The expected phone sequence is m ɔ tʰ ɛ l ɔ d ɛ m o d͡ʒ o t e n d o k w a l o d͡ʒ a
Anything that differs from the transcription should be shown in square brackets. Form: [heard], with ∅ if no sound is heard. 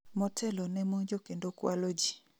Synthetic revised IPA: m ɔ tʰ ɛ l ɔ [n] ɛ m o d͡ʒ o [k] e n d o k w a l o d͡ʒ [i]